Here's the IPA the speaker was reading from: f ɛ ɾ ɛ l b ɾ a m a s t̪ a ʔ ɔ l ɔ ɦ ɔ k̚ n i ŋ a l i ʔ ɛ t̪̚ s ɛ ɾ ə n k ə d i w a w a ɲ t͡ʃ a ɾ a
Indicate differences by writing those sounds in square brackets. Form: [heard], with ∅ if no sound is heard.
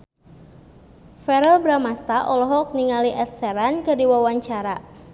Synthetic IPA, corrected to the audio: f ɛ ɾ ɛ l b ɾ a m a s t̪ a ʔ ɔ l ɔ ɦ ɔ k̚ n i ŋ a l i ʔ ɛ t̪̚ s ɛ ɾ [a] n k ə d i w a w a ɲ t͡ʃ a ɾ a